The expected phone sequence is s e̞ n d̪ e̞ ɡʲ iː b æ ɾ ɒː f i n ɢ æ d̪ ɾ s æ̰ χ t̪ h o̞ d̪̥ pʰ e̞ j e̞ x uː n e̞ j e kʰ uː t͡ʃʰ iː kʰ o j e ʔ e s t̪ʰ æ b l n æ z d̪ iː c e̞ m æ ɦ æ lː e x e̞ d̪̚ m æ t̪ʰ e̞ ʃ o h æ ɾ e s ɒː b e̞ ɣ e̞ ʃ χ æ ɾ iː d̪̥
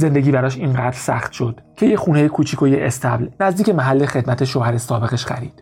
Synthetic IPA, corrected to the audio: z e̞ n d̪ e̞ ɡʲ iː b æ ɾ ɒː ʃ i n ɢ æ d̪ ɾ s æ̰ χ t̪ ʃ o̞ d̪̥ cʰ e̞ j e̞ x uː n e̞ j e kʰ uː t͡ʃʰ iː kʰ o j e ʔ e s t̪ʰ æ b l n æ z d̪ iː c e̞ m æ ɦ æ lː e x e̞ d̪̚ m æ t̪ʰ e̞ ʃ o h æ ɾ e s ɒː b e̞ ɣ e̞ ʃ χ æ ɾ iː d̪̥